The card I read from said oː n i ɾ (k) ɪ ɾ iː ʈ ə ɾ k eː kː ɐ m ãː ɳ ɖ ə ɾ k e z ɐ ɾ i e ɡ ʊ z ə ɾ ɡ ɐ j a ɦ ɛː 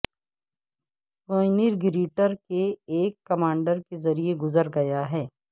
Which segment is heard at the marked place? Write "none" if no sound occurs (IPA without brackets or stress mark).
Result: ɡ